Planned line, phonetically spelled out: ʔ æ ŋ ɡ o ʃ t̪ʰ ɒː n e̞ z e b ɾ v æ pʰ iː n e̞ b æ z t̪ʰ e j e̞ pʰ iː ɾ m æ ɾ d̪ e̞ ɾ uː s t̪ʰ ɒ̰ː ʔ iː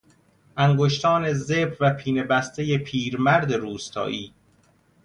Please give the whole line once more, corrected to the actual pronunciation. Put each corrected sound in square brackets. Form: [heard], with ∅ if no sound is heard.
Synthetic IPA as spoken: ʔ æ ŋ ɡ o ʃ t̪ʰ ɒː n e̞ z e b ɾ v æ pʰ iː n e̞ b æ [s] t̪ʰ e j e̞ pʰ iː ɾ m æ ɾ d̪ e̞ ɾ uː s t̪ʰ ɒ̰ː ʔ iː